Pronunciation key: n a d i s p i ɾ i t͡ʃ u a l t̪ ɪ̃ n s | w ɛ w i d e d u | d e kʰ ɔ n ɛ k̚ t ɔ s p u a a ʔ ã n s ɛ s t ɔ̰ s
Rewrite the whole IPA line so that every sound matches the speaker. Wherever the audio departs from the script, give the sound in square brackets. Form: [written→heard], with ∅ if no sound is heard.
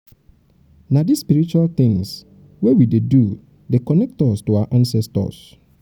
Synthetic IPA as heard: n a d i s p i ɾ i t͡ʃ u a l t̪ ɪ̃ [n→ŋ] s | w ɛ w i d e d u | d e [kʰ→k] ɔ n ɛ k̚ t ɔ s [p→t] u a a ʔ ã n s ɛ s t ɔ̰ s